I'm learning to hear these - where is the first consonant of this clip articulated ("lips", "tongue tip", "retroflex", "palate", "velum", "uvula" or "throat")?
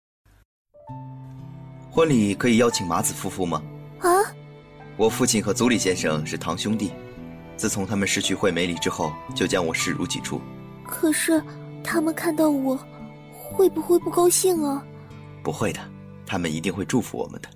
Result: velum